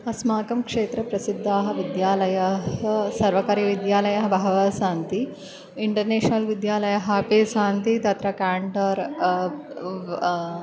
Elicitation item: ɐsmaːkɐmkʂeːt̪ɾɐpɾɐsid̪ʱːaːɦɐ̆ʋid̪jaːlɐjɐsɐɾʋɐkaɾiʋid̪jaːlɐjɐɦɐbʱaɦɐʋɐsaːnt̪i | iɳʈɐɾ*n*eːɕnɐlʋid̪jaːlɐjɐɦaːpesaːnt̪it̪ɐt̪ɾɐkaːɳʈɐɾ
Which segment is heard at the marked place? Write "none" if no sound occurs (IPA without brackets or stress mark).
n